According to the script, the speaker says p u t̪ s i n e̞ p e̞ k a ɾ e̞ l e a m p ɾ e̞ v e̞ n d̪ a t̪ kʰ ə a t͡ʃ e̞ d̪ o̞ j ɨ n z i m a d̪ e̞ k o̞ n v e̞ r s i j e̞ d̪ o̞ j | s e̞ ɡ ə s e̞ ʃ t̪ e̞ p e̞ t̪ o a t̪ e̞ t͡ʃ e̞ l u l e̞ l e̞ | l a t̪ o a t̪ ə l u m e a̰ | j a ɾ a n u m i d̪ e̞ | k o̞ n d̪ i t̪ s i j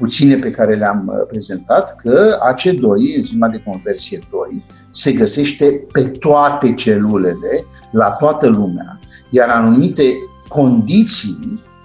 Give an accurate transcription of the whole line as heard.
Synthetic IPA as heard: p u t̪ s i n e̞ p e̞ k a ɾ e̞ l e a m p ɾ e̞ z e̞ n t̪ a t̪ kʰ ə a t͡ʃ e̞ d̪ o̞ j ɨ n z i m a d̪ e̞ k o̞ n v e̞ r s i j e̞ d̪ o̞ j | s e̞ ɡ ə s e̞ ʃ t̪ e̞ p e̞ t̪ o a t̪ e̞ t͡ʃ e̞ l u l e̞ l e̞ | l a t̪ o a t̪ ə l u m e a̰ | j a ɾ a n u m i t̪ e̞ | k o̞ n d̪ i t̪ s i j